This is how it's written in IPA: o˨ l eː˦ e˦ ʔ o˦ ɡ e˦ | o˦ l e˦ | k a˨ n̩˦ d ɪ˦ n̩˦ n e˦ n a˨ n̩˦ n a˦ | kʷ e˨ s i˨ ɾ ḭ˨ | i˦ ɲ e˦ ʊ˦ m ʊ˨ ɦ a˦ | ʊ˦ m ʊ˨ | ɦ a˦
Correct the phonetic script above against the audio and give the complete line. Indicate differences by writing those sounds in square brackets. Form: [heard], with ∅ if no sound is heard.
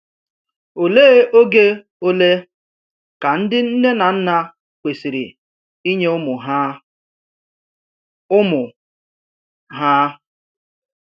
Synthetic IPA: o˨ l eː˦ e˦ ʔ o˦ ɡ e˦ | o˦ l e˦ | k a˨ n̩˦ d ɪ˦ n̩˦ n e˦ n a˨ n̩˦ n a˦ | kʷ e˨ s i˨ ɾ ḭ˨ | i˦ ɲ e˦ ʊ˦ m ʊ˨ ɦ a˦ | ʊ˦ m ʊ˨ | ɦ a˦